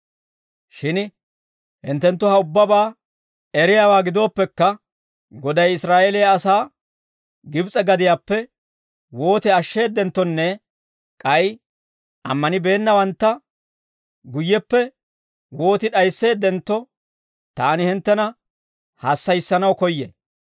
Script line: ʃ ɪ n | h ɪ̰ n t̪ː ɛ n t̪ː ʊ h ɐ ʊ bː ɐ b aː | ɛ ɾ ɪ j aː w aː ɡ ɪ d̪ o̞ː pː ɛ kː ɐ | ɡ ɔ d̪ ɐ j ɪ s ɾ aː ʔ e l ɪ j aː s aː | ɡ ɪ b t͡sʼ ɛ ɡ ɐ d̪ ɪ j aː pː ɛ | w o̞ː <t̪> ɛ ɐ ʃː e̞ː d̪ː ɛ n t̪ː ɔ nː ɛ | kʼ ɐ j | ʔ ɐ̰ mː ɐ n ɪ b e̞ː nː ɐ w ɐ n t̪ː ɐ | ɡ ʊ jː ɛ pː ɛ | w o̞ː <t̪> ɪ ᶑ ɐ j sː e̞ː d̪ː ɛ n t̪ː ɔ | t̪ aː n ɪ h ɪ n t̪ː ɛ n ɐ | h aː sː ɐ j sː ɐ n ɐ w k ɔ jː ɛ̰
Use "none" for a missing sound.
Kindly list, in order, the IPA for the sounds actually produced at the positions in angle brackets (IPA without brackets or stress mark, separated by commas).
t̪, t̪